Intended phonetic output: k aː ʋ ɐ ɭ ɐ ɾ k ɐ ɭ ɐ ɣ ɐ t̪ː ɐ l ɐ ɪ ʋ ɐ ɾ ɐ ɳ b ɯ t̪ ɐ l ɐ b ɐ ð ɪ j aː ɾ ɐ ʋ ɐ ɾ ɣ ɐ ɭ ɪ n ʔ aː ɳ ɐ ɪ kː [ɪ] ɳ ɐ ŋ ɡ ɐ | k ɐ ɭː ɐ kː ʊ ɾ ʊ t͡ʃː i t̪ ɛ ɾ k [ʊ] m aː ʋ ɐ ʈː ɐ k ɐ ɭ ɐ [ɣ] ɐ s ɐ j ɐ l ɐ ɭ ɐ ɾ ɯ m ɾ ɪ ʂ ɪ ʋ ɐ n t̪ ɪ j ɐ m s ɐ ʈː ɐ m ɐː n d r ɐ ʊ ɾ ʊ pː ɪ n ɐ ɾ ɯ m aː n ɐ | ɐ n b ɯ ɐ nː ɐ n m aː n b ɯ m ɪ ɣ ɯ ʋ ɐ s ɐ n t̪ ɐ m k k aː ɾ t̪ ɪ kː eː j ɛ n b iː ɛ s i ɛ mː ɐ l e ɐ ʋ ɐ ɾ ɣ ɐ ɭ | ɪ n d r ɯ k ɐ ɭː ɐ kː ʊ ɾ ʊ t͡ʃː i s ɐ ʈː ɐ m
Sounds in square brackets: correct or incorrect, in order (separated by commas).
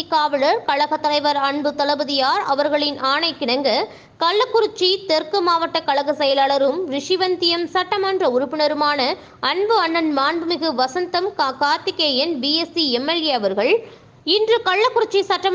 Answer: correct, incorrect, correct